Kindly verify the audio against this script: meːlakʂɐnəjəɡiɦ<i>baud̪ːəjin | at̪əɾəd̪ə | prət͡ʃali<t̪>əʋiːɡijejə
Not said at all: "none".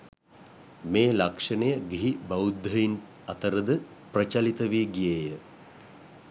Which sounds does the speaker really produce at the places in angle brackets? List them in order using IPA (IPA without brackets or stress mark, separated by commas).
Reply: i, t̪